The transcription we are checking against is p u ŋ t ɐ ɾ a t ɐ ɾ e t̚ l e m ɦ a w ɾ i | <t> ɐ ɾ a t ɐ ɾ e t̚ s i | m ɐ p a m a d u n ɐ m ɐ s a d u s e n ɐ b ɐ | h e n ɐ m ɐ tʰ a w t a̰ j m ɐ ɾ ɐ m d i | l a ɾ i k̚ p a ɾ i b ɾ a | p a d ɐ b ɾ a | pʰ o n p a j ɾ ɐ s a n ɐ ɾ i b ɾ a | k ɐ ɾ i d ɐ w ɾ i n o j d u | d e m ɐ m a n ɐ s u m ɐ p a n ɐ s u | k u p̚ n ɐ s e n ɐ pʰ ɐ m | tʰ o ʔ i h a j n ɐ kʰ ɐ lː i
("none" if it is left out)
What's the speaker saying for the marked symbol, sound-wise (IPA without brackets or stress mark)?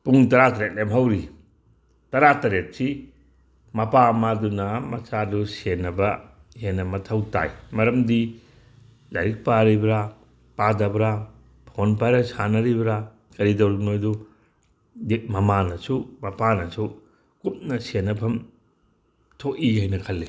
t